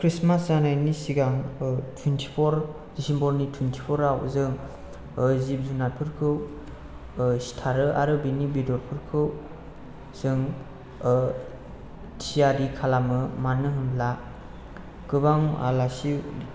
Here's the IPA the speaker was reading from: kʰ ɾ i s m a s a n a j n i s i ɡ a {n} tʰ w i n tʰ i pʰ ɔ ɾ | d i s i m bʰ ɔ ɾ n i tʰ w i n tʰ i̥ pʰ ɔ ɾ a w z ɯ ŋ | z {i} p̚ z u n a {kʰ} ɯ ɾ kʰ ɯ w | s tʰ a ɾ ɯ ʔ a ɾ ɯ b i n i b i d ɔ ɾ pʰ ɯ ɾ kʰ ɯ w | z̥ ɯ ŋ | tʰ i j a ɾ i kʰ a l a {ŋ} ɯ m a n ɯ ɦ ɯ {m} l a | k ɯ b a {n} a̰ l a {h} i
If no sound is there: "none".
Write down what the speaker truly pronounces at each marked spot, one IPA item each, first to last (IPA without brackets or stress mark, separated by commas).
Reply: ŋ, i, pʰ, m, m, ŋ, s